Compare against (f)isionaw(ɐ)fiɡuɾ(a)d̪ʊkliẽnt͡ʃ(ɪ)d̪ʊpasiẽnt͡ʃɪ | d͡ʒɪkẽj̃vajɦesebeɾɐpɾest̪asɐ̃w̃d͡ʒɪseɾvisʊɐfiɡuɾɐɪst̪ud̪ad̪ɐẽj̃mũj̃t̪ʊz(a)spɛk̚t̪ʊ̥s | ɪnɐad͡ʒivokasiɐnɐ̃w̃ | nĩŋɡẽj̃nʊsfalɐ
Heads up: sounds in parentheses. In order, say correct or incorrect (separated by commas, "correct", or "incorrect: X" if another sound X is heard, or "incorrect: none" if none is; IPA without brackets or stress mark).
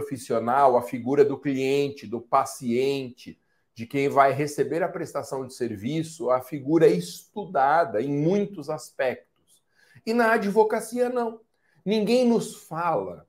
correct, correct, incorrect: ɐ, correct, correct